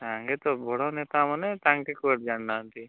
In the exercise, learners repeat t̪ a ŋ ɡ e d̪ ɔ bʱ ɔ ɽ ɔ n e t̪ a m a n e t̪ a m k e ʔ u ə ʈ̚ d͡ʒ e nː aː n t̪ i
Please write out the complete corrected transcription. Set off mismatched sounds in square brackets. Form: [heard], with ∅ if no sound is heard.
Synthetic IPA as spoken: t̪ a ŋ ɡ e [t̪] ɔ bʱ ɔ ɽ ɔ n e t̪ a m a n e t̪ a [ŋ] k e [k] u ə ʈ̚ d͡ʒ [a] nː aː n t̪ i